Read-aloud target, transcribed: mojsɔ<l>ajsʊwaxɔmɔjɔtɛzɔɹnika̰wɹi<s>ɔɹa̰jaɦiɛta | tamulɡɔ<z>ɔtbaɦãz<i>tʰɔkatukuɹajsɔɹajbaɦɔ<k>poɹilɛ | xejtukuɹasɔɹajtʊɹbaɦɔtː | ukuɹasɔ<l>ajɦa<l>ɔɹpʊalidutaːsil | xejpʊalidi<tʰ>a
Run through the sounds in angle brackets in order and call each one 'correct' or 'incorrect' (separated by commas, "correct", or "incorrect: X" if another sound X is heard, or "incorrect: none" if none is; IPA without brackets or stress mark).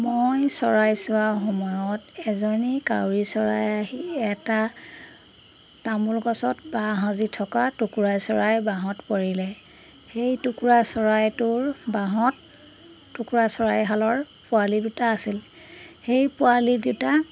incorrect: ɹ, correct, incorrect: s, correct, incorrect: t, incorrect: ɹ, correct, incorrect: t